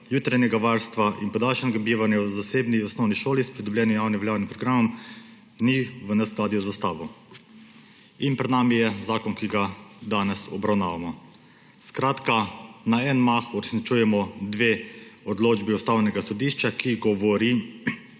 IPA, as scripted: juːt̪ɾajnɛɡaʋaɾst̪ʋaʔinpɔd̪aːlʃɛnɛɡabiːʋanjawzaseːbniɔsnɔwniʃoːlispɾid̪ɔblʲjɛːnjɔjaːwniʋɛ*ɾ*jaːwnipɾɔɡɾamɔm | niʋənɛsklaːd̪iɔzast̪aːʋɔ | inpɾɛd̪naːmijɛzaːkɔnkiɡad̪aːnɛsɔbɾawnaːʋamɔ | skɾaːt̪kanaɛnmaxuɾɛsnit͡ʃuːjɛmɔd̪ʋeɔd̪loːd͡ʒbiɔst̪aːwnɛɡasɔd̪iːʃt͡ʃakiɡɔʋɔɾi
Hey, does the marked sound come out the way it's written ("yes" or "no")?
no